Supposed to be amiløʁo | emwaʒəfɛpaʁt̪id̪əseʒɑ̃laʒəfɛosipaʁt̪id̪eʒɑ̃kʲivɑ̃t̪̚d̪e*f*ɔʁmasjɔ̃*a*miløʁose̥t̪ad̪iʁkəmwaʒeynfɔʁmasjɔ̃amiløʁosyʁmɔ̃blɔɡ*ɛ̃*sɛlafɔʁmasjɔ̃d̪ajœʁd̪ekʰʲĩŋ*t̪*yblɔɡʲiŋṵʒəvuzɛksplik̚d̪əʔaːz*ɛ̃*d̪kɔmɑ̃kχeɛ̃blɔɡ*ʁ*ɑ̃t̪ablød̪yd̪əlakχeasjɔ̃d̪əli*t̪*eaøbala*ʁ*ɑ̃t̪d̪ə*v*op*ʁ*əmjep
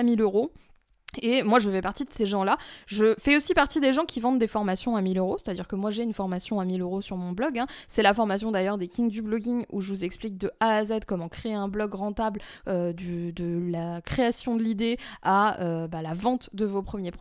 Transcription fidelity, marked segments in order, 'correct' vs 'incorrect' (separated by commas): correct, correct, correct, incorrect, incorrect, correct, incorrect, incorrect, correct, incorrect